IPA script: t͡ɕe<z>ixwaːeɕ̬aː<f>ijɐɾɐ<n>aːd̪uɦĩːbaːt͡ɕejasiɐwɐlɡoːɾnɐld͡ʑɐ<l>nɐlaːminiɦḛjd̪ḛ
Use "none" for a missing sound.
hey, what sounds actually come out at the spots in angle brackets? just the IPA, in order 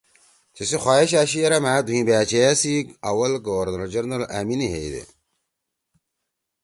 s, ɕ, m, ɾ

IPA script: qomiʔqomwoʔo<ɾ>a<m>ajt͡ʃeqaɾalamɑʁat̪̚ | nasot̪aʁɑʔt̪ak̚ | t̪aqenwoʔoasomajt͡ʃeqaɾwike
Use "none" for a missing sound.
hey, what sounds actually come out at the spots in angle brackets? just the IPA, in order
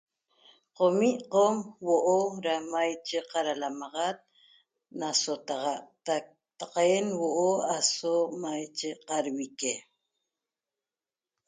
ɾ, m

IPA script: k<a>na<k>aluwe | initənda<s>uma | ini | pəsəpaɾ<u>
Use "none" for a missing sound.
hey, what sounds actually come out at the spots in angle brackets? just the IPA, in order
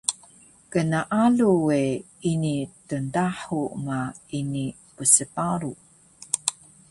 ə, ʔ, ħ, u

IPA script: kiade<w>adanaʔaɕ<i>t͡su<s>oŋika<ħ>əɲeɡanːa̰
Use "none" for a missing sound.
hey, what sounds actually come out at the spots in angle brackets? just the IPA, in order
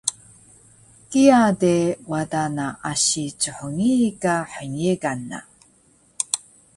w, i, ħ, ħ

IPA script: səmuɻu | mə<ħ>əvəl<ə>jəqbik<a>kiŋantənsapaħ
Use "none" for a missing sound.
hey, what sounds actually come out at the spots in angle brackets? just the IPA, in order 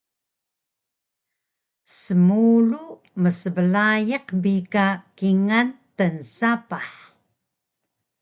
s, a, a

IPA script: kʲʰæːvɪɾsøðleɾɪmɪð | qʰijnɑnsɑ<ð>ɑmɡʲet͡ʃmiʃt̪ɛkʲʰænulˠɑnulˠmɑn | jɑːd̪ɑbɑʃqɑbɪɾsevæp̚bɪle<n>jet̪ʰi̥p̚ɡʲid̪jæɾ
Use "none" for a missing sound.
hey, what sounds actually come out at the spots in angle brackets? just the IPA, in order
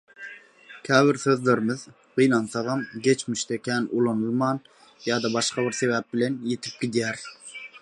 ʁ, n

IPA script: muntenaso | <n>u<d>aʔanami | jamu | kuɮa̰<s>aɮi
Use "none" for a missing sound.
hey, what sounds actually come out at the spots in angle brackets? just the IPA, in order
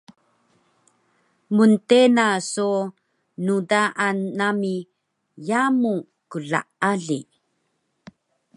n, d, none

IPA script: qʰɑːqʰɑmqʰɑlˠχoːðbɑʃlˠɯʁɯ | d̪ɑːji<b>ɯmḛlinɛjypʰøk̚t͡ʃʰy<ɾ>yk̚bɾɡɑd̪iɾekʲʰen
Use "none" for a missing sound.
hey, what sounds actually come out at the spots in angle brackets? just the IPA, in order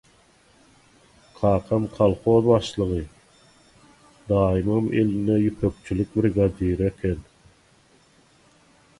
m, l

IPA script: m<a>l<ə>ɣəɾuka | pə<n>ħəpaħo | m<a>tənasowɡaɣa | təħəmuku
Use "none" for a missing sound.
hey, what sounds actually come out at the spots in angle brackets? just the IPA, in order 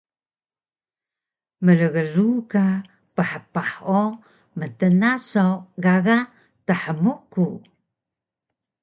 ə, ə, none, ə

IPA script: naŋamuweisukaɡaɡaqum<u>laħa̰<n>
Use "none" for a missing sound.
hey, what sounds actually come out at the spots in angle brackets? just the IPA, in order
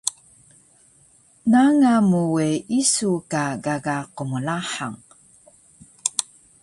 u, ŋ

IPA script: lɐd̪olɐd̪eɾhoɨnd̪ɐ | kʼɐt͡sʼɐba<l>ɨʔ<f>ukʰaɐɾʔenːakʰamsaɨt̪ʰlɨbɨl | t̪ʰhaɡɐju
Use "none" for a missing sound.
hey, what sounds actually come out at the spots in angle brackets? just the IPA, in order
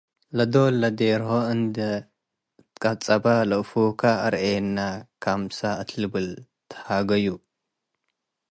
l, f

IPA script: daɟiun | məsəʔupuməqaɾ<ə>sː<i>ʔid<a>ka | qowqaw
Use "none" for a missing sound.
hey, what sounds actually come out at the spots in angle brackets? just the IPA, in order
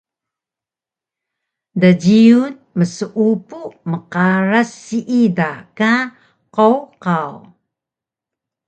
a, i, a

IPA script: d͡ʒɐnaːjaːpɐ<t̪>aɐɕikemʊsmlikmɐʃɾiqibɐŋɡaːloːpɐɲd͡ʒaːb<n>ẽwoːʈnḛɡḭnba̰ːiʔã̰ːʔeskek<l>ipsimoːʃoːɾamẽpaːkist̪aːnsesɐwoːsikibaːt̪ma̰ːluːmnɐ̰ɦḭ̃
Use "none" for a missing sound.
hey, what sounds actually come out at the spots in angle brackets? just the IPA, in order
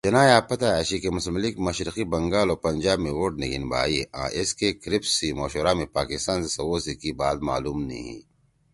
t̪, m, ɾ

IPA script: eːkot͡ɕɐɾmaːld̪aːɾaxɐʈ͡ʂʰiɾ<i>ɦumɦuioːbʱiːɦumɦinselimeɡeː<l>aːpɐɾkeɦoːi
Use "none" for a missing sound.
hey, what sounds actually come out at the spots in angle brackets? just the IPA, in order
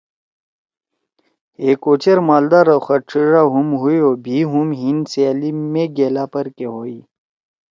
a, l

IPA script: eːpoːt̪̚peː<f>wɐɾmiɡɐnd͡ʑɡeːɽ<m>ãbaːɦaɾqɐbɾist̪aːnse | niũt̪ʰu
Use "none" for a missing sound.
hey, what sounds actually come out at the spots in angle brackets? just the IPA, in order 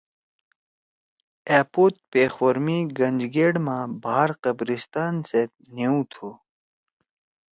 x, m

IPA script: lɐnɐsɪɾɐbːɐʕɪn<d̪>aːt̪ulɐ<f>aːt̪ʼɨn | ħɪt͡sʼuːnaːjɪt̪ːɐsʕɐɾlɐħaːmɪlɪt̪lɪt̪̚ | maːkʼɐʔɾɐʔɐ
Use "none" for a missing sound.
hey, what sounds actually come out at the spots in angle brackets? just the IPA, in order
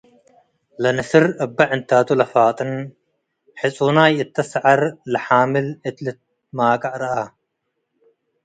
t̪, f

